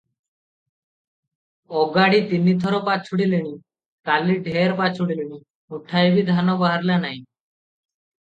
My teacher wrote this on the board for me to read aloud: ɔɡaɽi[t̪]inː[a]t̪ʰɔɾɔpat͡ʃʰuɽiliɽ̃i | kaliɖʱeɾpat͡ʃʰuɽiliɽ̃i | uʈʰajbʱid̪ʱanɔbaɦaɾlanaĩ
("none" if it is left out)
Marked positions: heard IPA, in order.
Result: t̪, i

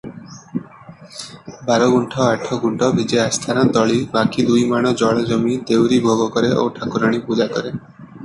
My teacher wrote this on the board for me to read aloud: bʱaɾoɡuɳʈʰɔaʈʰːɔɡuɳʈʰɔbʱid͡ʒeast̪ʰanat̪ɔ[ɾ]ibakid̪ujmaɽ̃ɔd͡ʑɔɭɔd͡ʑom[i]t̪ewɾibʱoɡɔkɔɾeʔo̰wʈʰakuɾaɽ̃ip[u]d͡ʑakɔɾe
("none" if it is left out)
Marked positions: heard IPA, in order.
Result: ɭ, i, u

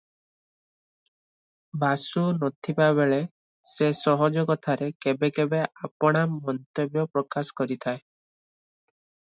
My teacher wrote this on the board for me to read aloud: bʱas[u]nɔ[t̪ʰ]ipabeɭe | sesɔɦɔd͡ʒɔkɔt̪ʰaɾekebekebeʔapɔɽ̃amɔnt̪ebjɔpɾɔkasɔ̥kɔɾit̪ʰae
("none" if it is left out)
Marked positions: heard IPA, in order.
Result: u, t̪ʰ

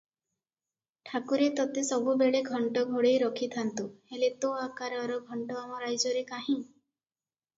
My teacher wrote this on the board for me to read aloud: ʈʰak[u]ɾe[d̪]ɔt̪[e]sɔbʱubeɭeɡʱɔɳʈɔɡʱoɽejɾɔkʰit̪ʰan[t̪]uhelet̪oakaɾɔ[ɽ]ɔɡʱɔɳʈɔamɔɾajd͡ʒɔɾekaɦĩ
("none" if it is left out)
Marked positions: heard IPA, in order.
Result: u, t̪, e, t̪, ɾ

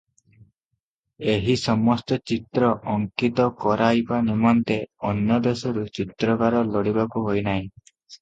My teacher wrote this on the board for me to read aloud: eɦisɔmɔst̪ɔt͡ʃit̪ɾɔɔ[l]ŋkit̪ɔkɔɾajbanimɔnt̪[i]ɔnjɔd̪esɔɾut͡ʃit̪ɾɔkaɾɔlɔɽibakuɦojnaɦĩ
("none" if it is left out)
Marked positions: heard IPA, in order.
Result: none, e

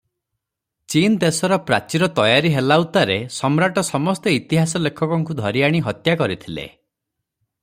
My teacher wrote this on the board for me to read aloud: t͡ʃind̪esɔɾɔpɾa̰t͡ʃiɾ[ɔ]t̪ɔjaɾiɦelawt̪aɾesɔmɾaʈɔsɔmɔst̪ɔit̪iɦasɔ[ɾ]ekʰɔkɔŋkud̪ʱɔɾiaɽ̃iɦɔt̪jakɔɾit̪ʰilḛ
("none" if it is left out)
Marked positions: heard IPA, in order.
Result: ɔ, l

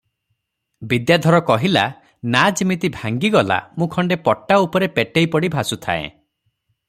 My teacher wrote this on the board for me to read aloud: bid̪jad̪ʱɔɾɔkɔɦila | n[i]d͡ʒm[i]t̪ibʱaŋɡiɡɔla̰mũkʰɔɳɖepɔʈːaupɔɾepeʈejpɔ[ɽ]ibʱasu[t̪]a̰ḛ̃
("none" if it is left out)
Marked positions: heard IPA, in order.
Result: a, i, ɽ, t̪ʰ

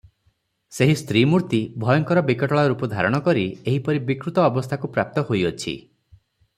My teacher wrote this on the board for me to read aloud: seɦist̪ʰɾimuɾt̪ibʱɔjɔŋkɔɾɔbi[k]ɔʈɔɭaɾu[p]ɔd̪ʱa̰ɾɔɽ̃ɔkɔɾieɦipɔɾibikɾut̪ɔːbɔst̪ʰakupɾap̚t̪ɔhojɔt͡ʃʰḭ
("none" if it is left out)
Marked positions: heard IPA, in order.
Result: k, p

